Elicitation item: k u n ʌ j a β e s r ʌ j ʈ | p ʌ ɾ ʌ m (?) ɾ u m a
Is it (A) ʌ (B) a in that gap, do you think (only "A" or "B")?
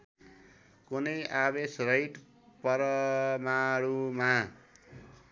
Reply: B